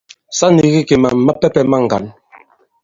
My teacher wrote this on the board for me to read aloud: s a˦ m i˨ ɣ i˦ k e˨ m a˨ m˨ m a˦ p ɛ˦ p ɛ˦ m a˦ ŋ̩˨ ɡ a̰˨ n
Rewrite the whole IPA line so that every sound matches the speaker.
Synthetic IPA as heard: s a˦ n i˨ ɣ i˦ k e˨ m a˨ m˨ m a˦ p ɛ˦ p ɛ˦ m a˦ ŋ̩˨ ɡ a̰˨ n